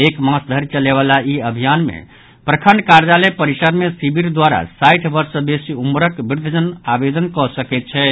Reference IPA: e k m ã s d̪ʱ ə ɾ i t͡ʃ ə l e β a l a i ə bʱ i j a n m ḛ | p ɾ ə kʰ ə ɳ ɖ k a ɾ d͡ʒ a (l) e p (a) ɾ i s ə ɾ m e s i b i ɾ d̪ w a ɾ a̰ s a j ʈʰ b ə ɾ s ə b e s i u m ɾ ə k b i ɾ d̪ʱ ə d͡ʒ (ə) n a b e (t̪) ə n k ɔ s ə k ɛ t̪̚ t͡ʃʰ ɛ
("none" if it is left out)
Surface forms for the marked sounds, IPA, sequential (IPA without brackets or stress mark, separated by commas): l, ə, ə, d̪